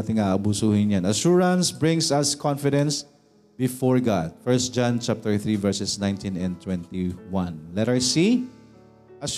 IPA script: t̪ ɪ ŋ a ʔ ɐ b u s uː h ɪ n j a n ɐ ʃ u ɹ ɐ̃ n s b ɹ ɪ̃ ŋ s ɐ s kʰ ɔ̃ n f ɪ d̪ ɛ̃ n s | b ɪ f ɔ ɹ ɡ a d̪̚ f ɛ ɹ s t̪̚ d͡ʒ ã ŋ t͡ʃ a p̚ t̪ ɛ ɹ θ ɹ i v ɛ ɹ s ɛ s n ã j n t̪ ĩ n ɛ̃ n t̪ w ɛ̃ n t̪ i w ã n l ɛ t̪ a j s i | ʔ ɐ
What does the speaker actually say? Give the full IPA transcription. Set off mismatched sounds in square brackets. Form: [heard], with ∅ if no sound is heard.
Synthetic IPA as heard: t̪ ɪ ŋ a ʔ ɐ b u s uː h ɪ n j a n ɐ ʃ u ɹ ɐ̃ n s b ɹ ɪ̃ ŋ s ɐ s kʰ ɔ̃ n f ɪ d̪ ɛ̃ n s | b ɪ f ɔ ɹ ɡ a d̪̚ f ɛ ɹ s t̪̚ d͡ʒ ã [n] t͡ʃ a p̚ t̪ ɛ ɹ θ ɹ i v ɛ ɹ s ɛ s n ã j n t̪ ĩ n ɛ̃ n t̪ w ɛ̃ n t̪ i w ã n l ɛ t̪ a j s i | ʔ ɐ